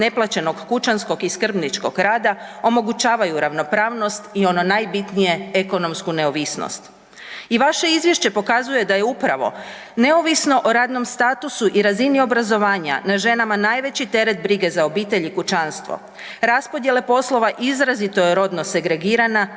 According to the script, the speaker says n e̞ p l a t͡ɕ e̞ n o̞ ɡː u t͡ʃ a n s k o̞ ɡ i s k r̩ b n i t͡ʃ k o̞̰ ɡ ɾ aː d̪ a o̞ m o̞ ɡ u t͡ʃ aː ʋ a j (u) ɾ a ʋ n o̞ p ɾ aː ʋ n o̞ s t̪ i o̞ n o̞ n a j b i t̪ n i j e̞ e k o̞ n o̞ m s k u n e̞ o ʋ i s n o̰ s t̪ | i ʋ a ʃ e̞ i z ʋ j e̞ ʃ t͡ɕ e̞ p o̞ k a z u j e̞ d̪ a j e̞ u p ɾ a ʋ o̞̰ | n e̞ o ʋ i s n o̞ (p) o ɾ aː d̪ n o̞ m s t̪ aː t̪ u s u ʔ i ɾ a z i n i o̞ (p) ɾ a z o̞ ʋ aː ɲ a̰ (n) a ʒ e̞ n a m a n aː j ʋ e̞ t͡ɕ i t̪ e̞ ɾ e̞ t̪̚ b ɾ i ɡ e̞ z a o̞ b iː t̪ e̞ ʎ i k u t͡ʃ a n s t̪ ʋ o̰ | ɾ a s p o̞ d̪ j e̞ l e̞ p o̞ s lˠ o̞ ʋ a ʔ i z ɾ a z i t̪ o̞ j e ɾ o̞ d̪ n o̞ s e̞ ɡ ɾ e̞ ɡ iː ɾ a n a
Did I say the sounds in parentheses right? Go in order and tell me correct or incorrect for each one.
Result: correct, incorrect: ʔ, incorrect: b, correct

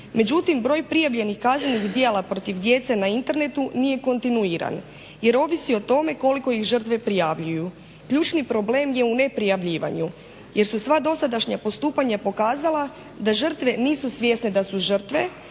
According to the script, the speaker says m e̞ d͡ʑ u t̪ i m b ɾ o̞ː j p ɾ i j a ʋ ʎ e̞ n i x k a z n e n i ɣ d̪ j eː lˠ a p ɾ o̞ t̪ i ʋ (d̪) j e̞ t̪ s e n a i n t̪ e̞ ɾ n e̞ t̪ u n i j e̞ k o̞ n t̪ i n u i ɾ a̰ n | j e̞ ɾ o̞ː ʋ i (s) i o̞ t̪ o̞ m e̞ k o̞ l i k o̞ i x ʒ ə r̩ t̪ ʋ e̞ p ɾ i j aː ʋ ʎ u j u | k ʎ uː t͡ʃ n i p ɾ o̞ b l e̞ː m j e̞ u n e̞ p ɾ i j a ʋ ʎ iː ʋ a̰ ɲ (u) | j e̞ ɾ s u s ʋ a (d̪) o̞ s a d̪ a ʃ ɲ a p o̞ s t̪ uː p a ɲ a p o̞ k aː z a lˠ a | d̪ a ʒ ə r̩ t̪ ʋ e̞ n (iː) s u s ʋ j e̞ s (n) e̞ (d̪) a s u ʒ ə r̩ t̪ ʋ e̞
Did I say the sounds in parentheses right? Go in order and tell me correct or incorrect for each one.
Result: correct, correct, correct, correct, correct, correct, correct

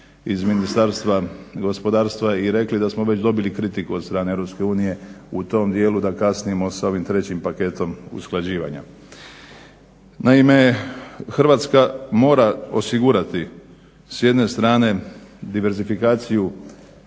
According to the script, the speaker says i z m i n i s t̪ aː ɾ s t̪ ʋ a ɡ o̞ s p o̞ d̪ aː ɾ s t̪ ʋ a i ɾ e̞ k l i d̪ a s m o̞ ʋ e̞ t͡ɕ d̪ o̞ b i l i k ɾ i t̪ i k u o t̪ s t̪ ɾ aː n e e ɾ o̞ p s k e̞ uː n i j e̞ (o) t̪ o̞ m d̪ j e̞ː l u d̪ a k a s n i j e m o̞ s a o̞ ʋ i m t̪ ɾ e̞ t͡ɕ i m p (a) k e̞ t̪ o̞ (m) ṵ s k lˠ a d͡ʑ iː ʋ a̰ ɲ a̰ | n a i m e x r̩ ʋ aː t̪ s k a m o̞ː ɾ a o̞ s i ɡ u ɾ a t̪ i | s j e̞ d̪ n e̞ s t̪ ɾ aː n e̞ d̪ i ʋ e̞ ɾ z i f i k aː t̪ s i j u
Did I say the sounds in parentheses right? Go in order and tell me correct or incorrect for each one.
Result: incorrect: u, correct, correct

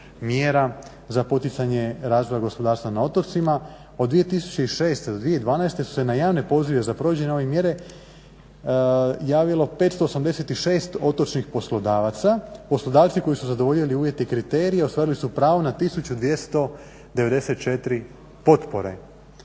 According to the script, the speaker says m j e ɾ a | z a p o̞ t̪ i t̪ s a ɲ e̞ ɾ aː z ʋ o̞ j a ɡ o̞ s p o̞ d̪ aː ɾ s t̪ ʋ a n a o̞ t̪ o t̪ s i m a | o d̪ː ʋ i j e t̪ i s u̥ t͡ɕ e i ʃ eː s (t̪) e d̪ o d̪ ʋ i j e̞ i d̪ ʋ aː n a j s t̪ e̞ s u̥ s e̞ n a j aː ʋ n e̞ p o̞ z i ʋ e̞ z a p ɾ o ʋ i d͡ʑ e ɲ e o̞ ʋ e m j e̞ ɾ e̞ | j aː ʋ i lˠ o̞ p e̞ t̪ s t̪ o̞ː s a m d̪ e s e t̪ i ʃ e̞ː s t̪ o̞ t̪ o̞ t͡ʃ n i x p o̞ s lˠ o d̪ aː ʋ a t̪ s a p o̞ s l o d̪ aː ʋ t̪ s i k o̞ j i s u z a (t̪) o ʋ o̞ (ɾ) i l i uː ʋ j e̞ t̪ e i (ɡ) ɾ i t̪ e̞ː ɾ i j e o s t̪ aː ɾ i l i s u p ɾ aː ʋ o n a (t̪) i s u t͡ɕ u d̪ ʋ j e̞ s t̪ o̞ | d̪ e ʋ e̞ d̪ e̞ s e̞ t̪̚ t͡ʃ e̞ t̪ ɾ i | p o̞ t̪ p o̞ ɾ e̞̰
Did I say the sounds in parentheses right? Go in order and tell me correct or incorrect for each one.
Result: correct, incorrect: d̪, incorrect: ʎ, incorrect: k, correct

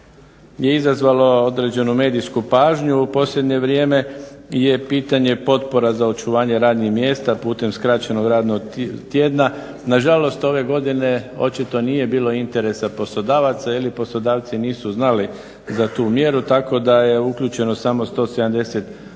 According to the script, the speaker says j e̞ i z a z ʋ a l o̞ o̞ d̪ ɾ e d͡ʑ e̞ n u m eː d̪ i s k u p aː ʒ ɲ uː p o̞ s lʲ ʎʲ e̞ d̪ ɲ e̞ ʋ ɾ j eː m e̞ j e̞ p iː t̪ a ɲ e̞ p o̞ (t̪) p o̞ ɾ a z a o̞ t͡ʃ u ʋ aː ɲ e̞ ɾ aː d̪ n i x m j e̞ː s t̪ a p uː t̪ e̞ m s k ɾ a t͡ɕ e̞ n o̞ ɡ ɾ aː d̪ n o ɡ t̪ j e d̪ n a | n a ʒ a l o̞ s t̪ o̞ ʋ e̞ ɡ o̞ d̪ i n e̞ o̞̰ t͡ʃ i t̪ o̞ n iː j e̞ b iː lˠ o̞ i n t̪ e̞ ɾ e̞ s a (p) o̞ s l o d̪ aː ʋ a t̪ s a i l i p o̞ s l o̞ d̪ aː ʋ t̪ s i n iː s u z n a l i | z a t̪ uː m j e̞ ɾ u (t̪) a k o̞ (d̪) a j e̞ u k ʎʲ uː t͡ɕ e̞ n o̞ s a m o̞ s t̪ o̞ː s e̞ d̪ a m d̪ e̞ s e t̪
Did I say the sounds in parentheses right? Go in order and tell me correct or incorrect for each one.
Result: correct, correct, correct, correct

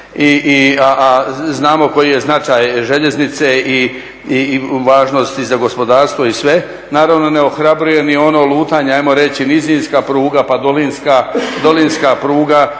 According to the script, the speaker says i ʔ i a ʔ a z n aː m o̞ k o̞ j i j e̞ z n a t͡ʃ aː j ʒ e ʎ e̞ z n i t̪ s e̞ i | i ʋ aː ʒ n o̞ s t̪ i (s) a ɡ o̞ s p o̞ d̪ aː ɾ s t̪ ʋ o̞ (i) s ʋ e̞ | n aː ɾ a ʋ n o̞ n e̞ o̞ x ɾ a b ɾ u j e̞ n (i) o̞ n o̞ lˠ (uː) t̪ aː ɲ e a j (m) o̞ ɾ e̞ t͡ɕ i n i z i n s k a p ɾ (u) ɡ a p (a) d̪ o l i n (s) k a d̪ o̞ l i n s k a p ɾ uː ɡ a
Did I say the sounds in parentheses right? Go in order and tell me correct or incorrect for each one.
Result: incorrect: z, correct, correct, correct, correct, incorrect: uː, correct, correct

